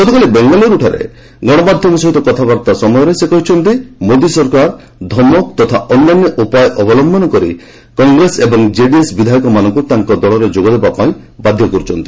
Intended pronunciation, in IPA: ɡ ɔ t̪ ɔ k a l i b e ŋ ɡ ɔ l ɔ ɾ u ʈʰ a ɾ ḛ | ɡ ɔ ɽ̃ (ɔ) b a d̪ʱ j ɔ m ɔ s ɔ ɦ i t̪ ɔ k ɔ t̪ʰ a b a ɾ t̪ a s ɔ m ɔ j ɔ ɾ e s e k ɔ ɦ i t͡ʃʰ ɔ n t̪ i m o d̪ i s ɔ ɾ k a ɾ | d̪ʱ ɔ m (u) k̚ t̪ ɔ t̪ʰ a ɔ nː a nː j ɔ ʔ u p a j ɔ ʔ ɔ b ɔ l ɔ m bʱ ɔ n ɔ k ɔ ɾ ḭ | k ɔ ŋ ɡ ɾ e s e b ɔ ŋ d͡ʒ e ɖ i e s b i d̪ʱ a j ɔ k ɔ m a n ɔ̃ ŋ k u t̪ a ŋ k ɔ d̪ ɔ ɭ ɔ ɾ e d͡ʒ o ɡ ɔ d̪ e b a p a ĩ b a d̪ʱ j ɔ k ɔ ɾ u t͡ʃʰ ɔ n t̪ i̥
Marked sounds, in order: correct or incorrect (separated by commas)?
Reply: correct, incorrect